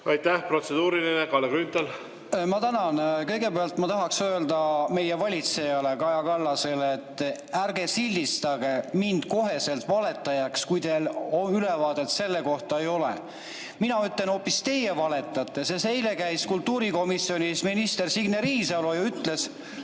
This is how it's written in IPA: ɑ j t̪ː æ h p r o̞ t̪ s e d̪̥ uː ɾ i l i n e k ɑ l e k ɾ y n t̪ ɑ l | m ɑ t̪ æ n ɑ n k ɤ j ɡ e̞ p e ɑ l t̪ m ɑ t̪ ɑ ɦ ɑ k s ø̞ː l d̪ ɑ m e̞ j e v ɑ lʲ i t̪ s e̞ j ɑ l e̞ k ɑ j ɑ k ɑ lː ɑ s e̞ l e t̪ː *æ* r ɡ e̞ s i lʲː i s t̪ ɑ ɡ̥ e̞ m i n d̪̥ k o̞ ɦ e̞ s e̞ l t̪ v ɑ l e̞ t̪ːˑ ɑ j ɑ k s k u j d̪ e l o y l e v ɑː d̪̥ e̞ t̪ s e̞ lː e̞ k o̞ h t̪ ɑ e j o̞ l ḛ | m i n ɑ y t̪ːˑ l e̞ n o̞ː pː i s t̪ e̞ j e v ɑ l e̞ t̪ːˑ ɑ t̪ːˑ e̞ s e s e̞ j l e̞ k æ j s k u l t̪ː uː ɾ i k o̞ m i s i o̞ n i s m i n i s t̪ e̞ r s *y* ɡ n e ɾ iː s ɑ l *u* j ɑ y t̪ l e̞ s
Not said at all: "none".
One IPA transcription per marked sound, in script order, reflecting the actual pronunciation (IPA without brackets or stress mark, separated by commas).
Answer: æ, i, o